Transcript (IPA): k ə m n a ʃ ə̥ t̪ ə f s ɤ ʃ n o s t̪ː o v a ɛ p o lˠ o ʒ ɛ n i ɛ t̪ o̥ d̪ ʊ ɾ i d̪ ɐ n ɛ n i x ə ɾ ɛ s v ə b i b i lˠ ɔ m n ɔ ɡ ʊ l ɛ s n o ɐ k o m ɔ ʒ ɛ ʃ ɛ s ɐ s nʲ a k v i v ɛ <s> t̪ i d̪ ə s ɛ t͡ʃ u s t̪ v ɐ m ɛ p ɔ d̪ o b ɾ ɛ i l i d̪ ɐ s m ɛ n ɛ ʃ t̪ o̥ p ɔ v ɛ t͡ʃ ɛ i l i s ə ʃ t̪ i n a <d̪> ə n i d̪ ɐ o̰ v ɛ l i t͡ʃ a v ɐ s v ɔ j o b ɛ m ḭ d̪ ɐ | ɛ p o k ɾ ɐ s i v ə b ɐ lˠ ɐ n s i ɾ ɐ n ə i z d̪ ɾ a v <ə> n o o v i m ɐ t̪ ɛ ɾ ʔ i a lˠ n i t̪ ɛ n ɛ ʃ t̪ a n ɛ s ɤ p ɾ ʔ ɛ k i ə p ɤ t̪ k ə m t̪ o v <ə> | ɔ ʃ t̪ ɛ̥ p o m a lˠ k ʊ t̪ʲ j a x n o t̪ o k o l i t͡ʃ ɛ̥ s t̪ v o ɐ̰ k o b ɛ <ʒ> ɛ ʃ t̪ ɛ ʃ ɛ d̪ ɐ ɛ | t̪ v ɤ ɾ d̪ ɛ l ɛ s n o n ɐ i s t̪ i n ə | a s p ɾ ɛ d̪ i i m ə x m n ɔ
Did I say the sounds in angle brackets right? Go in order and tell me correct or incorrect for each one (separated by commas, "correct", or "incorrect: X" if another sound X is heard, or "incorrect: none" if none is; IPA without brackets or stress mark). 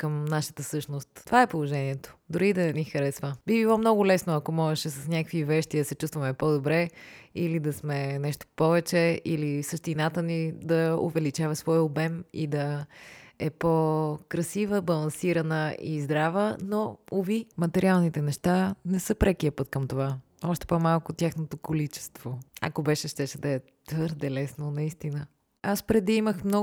incorrect: ʃ, incorrect: t̪, correct, incorrect: a, incorrect: ʃ